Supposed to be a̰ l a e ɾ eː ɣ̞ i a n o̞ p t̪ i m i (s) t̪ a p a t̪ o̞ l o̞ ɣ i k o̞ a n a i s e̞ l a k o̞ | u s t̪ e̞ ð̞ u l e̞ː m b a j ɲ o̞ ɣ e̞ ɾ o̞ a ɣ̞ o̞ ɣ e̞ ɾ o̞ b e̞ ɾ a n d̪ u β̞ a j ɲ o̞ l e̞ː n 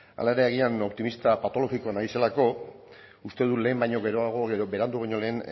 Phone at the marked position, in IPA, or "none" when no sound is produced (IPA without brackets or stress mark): s